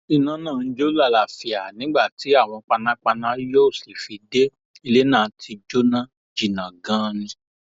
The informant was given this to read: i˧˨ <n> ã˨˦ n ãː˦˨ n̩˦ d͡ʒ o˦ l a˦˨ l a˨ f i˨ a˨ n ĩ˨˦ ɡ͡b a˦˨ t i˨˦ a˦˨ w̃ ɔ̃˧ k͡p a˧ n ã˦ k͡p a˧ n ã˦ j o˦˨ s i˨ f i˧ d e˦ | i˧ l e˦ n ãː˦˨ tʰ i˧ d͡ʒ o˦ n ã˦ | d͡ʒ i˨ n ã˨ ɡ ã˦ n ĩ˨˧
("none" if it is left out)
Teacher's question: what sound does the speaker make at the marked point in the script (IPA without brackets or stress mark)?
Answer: n